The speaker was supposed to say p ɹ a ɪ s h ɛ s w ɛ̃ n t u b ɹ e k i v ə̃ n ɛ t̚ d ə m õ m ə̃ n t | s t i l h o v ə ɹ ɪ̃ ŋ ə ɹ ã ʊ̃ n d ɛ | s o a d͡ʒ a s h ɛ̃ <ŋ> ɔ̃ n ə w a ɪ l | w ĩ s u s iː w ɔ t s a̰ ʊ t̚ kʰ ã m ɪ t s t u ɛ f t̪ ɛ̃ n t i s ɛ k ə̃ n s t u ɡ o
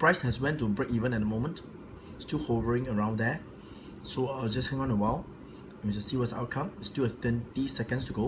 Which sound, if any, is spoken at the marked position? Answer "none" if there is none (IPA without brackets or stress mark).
ŋ